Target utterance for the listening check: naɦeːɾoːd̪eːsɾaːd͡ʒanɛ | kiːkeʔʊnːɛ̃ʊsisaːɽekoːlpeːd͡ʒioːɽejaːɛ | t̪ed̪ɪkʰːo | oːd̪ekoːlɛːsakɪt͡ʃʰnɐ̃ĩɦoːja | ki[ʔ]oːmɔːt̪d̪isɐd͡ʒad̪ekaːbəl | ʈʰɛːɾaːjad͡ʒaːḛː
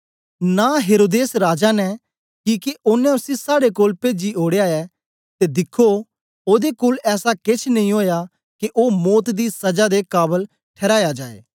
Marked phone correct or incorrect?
correct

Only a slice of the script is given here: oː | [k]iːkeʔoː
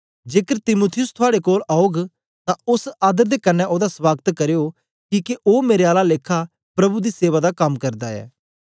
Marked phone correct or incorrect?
correct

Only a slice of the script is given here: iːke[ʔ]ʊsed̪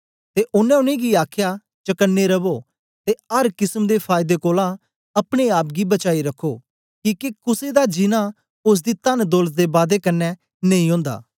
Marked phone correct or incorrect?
incorrect: k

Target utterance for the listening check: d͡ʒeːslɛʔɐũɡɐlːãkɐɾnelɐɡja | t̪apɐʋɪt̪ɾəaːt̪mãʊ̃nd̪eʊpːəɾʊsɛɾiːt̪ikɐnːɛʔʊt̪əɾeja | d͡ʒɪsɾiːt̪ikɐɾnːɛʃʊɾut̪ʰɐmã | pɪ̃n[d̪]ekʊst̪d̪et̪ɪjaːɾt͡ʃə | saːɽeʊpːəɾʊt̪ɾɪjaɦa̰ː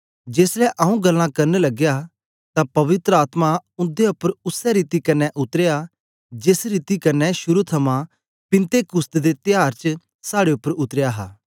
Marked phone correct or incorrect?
incorrect: t̪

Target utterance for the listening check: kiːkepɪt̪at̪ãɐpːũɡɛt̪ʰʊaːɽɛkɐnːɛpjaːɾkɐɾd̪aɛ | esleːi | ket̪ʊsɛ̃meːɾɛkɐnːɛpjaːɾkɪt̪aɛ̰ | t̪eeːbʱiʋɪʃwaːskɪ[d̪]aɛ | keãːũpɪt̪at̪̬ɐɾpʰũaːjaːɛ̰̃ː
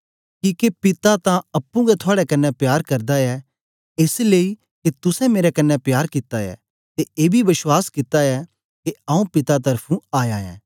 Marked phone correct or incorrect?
incorrect: t̪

